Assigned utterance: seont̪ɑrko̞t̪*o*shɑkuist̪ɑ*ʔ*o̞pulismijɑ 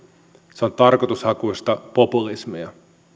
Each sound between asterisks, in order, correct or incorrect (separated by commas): incorrect, incorrect